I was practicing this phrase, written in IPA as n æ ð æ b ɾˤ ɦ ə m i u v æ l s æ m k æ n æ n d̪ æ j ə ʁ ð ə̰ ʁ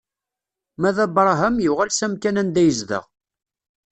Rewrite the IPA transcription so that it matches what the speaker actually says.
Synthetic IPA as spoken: m æ ð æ b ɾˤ ɦ ə m j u ʁ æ l s æ m k æ n æ n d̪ æ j ə z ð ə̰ ʁ